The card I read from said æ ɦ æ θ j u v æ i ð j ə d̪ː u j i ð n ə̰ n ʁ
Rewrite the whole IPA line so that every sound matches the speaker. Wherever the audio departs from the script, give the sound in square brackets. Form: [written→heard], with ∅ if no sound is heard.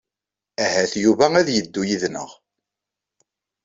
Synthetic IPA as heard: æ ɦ æ θ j u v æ [i→æ] ð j ə d̪ː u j i ð n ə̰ [n→∅] ʁ